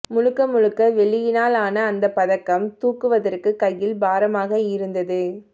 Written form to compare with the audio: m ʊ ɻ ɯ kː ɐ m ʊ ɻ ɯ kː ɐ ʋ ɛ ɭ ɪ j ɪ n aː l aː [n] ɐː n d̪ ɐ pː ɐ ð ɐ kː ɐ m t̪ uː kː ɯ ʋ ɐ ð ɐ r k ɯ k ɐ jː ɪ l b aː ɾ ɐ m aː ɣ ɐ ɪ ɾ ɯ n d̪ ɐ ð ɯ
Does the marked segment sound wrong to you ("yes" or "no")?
no